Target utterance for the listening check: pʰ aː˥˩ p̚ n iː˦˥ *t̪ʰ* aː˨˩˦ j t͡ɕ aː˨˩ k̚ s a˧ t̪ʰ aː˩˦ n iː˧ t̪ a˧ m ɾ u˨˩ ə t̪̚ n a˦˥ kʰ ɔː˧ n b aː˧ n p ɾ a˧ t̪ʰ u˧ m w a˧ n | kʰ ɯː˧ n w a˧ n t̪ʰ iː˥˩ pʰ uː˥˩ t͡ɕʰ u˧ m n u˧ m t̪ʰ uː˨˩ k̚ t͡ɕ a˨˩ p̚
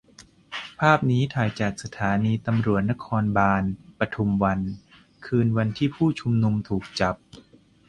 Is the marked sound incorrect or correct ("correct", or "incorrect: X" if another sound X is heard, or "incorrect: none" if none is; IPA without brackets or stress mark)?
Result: correct